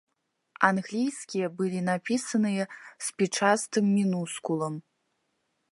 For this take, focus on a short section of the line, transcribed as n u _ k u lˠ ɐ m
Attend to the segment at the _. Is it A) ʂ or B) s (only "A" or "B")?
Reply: B